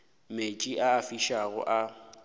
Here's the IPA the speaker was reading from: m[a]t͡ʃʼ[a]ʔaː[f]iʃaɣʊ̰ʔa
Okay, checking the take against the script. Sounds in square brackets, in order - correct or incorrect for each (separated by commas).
incorrect, incorrect, correct